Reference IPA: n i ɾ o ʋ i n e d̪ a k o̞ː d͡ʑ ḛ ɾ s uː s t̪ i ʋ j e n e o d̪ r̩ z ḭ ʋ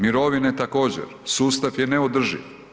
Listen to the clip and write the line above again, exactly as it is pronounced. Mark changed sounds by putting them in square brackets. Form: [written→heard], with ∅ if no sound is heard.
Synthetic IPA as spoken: [n→m] i ɾ o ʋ i n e [d̪→t̪] a k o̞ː d͡ʑ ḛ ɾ s uː s t̪ [i→a] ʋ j e n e o d̪ r̩ [z→ʒ] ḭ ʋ

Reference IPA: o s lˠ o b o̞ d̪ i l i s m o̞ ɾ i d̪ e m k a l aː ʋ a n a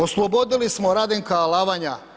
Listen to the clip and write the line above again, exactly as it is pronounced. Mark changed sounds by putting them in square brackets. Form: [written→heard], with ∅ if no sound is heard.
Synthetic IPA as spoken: o s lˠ o b o̞ d̪ i l i s m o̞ ɾ [i→a] d̪ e [m→ŋ] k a l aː ʋ a [n→ɲ] a

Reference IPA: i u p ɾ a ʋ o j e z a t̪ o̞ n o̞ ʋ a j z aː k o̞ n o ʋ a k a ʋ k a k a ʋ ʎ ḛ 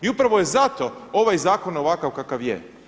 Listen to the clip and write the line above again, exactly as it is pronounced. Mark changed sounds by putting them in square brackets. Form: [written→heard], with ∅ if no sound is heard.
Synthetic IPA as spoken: i u p ɾ a ʋ o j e z a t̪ o̞ [n→∅] o̞ ʋ a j z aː k o̞ n o ʋ a k a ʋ k a k a ʋ [ʎ→j] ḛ

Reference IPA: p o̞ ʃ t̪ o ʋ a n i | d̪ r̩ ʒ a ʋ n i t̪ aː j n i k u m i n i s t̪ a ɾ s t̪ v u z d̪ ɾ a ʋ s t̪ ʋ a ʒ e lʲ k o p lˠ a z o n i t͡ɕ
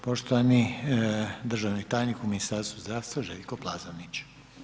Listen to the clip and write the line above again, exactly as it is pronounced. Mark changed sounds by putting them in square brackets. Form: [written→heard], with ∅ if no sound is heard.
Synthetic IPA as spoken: p o̞ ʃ t̪ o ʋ a n i | d̪ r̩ ʒ a ʋ n i t̪ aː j n i k u m i n i s t̪ a ɾ s t̪ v u z d̪ ɾ a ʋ s t̪ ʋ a ʒ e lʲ k o p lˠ a z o n i t͡ɕ

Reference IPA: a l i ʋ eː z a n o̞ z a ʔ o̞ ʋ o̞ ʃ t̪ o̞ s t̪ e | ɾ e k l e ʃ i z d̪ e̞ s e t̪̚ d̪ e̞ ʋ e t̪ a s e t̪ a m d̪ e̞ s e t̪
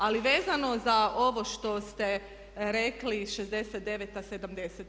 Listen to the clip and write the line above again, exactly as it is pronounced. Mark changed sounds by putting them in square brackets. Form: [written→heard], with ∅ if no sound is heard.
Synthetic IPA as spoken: a l i ʋ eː z a n o̞ z a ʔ o̞ ʋ o̞ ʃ t̪ o̞ s t̪ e | ɾ e k l [e→i] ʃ [i→e] z d̪ e̞ s e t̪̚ d̪ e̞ ʋ e t̪ a s e [t̪→d̪] a m d̪ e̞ s e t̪

